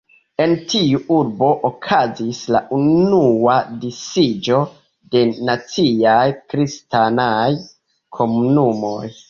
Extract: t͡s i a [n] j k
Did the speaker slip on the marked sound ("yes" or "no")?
yes